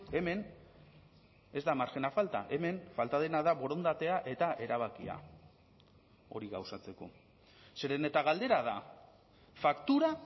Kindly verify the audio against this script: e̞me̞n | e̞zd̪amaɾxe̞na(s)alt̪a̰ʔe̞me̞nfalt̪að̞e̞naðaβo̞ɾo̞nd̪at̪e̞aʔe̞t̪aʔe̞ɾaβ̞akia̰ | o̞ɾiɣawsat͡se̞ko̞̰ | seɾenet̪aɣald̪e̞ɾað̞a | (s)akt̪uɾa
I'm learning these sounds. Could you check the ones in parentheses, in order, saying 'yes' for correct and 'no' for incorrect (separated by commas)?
no, no